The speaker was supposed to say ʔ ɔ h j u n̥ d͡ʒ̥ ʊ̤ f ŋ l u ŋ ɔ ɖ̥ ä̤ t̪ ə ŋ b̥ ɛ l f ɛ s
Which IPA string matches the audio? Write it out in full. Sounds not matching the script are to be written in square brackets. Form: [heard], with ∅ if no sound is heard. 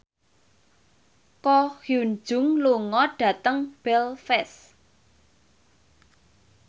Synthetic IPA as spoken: [k] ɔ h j u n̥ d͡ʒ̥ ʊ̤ [∅] ŋ l u ŋ ɔ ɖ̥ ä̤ t̪ ə ŋ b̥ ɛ l f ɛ s